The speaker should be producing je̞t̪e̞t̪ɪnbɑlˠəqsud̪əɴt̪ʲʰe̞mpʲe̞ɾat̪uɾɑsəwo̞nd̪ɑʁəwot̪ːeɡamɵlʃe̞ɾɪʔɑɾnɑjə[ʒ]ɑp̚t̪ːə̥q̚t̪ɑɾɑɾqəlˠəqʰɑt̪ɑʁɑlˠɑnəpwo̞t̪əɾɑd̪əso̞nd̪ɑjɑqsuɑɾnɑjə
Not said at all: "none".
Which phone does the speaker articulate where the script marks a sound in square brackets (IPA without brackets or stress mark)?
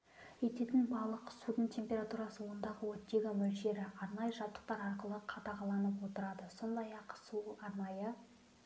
ʒ